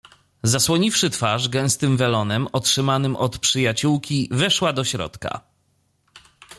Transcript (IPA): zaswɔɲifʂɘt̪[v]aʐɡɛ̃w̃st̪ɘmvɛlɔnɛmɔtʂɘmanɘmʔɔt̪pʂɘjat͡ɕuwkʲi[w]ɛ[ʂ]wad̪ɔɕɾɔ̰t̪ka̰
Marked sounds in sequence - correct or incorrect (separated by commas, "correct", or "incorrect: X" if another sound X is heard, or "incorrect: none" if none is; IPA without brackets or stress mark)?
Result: incorrect: f, incorrect: v, correct